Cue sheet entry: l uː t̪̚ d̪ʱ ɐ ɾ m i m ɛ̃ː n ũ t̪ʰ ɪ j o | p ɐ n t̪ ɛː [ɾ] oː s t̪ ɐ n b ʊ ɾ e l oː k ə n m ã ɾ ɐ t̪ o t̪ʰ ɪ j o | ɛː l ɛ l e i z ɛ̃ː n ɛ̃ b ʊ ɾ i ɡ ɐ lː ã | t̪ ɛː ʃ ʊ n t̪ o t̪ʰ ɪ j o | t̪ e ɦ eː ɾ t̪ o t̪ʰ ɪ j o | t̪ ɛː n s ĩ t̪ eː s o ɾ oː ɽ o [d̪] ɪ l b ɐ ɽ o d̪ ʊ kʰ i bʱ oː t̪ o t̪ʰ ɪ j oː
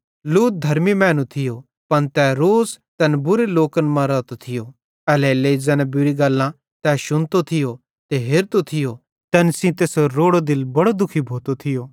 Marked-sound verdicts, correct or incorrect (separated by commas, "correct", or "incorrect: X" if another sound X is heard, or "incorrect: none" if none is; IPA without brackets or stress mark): correct, correct